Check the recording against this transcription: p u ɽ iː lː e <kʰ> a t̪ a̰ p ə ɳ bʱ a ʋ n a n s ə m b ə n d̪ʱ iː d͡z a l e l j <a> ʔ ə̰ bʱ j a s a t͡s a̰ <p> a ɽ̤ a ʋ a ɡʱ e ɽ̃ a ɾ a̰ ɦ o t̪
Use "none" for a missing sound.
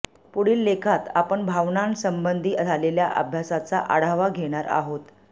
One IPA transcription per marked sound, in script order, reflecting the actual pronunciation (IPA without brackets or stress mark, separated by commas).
kʰ, a, ʔ